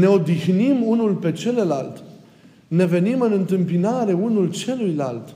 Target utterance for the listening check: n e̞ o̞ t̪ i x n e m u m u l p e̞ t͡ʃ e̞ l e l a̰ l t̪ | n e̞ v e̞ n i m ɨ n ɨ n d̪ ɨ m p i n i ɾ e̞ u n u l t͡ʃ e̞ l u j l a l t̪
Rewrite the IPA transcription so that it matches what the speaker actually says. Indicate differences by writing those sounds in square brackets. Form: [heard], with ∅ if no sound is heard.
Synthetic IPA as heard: n e̞ o̞ [d̪] i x n [i] m u [n] u l p e̞ t͡ʃ e̞ l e l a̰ l t̪ | n e̞ v e̞ n i m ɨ n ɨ n [t̪] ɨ m p i n [a] ɾ e̞ u n u l t͡ʃ e̞ l u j l a l t̪